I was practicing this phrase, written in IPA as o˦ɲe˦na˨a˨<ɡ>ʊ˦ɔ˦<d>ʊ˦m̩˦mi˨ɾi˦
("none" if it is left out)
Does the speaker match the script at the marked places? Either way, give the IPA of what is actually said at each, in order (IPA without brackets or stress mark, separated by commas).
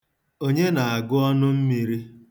ɡ, n